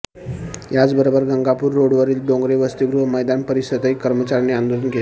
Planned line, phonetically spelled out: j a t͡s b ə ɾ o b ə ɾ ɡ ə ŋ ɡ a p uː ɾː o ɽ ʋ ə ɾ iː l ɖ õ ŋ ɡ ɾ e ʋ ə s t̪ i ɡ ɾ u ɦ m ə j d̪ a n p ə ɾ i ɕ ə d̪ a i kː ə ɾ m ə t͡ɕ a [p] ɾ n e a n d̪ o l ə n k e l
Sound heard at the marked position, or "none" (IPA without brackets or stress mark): none